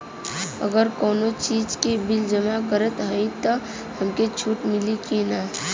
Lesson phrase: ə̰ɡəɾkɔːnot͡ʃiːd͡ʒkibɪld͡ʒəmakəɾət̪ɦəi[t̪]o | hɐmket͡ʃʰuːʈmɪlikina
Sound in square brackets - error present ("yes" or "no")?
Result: no